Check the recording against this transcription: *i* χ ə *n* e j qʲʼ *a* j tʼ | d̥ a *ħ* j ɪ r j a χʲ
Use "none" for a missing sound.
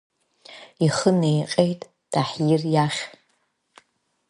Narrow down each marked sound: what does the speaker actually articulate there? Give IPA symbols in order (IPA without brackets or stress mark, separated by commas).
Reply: i, n, e, ħ